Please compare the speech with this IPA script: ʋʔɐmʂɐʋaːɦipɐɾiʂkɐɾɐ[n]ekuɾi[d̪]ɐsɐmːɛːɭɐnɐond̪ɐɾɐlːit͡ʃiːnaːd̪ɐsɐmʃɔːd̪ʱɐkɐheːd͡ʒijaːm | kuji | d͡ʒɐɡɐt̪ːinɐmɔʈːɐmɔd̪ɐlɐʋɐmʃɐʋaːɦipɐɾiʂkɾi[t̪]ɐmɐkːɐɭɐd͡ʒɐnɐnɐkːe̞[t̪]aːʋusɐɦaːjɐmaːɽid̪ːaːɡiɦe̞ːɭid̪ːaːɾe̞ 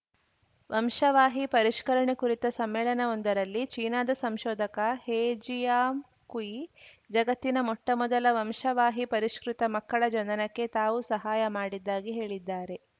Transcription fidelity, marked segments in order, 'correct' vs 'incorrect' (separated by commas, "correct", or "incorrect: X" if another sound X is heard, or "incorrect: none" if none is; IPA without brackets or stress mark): incorrect: ɳ, incorrect: t̪, correct, correct